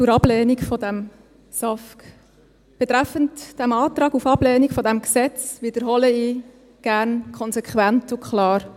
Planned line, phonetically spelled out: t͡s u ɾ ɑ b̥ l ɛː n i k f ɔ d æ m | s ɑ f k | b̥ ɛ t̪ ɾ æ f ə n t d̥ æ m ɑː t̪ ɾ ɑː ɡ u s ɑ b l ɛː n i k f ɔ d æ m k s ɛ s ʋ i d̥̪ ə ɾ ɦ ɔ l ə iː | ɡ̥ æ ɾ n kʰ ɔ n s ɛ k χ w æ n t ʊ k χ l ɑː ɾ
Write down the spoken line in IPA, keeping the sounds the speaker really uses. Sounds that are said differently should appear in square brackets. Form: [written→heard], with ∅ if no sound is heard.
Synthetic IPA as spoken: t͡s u ɾ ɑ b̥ l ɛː n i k f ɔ d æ m | s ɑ f k | b̥ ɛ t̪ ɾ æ f ə n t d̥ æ m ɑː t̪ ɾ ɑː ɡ u [s→f] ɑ b l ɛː n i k f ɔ d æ m k s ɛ [s→t͡s] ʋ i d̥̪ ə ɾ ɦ ɔ l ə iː | ɡ̥ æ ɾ n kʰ ɔ n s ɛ k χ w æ n t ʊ k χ l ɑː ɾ